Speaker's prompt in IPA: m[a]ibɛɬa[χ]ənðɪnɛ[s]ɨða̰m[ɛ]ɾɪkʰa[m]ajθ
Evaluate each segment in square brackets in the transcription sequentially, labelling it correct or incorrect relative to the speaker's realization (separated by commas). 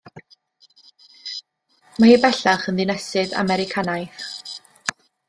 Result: correct, correct, correct, correct, incorrect